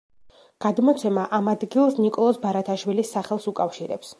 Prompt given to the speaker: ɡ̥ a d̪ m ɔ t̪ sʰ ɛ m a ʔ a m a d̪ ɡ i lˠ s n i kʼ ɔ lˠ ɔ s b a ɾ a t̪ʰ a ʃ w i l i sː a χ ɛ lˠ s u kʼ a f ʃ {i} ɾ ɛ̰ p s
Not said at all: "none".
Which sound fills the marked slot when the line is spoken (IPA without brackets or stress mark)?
i